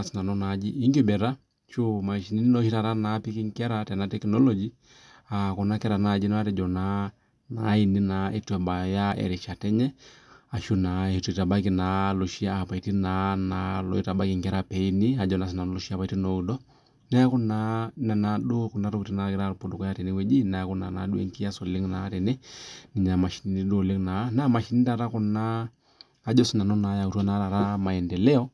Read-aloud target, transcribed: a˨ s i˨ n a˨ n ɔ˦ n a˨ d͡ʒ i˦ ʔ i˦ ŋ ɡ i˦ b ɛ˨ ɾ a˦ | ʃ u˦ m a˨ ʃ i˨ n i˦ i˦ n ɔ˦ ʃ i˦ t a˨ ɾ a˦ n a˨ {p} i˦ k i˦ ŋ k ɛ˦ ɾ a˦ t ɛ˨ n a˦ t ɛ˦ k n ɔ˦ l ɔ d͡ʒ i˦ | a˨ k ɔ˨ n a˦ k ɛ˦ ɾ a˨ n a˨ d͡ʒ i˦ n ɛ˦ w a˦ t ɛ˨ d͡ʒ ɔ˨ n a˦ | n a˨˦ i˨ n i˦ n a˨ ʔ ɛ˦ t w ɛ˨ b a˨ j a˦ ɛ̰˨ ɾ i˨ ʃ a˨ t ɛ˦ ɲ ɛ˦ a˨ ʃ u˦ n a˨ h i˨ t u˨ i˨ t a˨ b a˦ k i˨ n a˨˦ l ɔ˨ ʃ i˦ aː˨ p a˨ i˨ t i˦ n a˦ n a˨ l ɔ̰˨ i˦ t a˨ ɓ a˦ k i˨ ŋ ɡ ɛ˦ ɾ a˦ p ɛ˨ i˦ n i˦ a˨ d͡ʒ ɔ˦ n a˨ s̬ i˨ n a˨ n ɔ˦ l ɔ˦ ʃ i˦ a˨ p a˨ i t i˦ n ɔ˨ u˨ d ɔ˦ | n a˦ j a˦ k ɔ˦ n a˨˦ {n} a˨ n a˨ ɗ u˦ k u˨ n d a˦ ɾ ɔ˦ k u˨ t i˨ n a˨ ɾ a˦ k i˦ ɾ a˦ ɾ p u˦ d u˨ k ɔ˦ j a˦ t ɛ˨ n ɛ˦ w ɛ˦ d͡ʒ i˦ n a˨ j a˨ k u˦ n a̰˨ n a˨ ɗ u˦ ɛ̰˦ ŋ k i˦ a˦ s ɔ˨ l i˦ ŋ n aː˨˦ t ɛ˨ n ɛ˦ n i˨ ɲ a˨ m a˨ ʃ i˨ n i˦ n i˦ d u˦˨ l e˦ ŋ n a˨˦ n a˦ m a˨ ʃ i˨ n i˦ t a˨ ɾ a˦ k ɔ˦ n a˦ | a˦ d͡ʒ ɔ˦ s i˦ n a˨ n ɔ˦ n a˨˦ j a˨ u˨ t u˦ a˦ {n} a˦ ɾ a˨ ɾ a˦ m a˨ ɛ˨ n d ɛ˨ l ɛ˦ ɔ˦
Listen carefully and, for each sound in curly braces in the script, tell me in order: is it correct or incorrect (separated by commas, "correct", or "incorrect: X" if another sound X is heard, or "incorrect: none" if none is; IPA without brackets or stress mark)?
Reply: correct, correct, correct